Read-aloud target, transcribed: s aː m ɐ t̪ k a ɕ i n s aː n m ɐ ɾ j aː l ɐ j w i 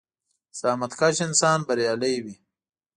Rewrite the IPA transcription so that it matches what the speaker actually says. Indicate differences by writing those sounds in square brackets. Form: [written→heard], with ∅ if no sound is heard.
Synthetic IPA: s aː m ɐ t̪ k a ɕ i n s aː n [m→b] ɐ ɾ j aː l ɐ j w i